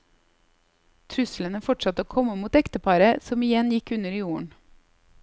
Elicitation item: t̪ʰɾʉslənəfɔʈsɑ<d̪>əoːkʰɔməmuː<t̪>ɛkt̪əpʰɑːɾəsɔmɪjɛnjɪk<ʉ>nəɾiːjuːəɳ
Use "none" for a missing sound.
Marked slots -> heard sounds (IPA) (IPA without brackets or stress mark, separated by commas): t̪, t̪, ʉ